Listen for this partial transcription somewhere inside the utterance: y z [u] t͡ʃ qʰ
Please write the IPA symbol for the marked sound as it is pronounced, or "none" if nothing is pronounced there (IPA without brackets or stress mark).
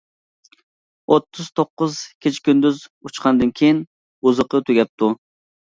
u